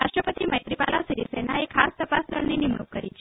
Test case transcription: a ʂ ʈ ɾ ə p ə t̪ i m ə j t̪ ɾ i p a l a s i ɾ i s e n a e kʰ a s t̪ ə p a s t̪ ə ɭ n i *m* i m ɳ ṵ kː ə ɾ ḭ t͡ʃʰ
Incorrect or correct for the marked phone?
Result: incorrect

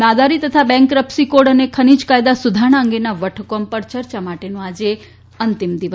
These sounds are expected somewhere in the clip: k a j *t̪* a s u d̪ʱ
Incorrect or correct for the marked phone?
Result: incorrect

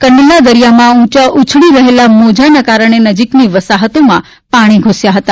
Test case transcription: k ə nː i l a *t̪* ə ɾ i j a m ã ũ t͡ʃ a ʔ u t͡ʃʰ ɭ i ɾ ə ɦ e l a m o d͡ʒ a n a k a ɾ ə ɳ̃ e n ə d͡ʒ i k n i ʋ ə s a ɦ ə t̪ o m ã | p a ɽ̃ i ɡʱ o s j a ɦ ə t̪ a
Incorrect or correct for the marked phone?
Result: incorrect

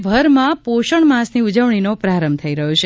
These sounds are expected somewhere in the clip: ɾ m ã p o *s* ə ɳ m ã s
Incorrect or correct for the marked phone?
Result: incorrect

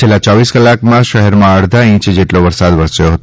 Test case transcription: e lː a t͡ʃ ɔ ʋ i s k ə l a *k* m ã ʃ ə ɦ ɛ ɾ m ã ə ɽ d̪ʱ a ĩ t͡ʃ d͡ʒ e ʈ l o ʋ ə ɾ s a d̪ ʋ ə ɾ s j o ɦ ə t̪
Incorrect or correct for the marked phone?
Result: correct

